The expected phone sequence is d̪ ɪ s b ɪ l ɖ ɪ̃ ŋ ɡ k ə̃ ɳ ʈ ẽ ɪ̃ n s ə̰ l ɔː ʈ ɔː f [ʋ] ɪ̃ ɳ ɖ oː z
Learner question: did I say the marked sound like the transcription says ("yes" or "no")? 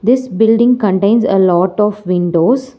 yes